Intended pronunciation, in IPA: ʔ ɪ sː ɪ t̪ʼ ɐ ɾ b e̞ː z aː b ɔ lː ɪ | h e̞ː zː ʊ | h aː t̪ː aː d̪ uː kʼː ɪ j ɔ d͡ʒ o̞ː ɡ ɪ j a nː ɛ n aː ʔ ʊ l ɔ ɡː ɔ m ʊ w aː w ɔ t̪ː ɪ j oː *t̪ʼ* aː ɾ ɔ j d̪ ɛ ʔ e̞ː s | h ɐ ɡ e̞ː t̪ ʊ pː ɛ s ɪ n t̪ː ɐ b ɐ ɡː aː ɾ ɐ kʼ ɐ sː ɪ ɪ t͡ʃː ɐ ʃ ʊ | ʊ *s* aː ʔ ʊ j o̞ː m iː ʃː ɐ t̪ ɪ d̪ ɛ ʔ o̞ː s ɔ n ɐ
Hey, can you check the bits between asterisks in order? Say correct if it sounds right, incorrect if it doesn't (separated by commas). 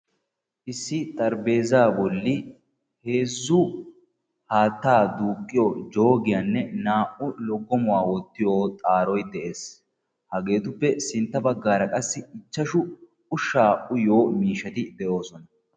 correct, incorrect